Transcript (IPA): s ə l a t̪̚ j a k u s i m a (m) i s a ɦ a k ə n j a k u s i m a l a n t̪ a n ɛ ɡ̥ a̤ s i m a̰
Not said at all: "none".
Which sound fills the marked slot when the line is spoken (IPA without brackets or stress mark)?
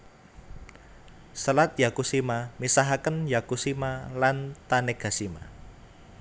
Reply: m